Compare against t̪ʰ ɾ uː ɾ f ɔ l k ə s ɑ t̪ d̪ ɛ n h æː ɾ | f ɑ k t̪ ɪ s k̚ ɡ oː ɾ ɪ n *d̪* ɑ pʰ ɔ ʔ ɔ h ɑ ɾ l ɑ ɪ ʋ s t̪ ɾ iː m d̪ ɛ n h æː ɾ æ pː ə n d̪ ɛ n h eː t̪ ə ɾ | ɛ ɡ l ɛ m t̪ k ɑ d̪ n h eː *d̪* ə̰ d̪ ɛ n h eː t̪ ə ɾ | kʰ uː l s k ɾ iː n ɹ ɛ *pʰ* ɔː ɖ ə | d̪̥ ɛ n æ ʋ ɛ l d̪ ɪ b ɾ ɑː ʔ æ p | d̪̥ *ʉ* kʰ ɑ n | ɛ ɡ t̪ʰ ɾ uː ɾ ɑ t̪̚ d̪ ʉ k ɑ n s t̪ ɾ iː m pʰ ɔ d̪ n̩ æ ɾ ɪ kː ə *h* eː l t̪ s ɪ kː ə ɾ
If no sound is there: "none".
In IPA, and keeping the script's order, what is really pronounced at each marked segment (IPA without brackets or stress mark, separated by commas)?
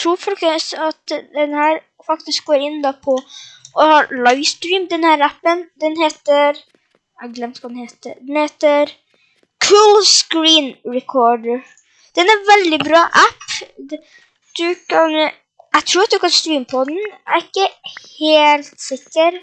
d̪, t̪, kʰ, ʉ, h